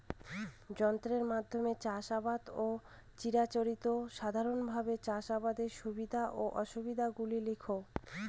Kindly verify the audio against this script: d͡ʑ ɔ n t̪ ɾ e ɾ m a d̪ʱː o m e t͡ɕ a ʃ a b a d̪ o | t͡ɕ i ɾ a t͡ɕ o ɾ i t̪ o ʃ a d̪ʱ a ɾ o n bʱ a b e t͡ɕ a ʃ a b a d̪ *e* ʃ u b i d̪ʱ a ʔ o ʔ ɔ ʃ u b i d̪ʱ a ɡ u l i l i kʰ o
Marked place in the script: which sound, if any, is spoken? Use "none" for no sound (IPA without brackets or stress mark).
e